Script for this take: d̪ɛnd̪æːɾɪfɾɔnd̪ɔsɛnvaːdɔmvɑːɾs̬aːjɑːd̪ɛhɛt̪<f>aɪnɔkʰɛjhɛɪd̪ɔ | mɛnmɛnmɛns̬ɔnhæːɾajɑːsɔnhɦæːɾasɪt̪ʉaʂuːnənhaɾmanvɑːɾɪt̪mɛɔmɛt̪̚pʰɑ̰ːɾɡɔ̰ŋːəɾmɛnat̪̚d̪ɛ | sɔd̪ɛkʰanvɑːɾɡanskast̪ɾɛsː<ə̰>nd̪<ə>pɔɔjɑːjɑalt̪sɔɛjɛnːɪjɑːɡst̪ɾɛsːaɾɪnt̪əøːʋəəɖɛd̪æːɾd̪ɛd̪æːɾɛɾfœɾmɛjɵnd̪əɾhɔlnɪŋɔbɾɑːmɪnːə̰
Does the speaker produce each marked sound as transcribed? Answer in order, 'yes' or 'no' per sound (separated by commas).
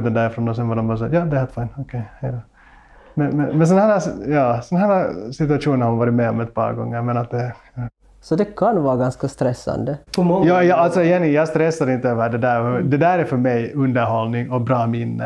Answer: yes, no, yes